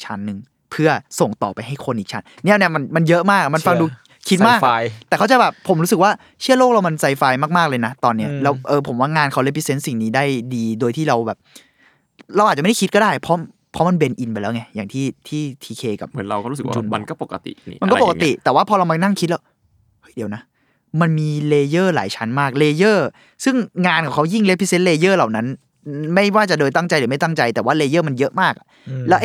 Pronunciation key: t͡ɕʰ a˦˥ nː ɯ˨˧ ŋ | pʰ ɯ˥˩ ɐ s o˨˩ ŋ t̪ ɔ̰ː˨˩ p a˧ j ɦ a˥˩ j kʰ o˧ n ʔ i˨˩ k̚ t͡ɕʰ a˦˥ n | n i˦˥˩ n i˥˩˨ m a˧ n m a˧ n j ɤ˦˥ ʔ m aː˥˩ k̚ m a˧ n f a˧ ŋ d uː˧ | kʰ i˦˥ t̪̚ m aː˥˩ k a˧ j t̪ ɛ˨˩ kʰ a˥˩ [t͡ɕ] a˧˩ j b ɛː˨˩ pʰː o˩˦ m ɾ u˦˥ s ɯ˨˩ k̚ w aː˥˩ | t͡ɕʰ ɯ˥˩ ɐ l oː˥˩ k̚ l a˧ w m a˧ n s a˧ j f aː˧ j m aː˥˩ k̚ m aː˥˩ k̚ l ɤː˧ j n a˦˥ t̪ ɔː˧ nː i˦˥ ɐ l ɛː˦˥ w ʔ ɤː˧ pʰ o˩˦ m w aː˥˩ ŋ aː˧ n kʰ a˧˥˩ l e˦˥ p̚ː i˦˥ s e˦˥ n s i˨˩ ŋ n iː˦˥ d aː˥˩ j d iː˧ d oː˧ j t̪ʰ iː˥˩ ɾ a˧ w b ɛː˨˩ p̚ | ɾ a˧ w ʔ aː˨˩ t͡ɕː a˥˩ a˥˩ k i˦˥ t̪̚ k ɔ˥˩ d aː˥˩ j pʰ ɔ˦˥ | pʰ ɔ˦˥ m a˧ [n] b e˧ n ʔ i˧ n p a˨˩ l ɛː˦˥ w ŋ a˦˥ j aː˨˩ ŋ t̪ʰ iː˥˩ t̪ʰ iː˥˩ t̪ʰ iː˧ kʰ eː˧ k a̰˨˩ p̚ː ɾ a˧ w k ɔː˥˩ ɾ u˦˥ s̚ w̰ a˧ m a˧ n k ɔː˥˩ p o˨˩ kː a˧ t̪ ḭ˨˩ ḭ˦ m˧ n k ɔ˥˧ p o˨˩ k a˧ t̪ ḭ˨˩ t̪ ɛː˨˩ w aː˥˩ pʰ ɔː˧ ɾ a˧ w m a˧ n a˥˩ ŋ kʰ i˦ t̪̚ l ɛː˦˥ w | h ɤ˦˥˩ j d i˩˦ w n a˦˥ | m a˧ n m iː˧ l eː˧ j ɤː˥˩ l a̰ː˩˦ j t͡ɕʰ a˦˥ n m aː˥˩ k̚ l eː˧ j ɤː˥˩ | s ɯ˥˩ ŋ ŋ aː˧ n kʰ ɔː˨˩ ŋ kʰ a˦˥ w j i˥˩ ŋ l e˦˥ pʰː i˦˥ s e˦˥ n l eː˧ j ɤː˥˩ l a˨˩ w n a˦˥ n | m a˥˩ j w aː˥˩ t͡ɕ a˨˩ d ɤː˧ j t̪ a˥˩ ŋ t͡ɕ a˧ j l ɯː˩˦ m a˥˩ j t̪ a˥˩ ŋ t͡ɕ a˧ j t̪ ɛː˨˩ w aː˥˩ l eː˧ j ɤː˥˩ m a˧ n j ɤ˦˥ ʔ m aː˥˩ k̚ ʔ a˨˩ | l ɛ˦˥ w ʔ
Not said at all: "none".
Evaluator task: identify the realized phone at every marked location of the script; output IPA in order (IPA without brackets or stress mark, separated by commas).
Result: t͡ɕ, n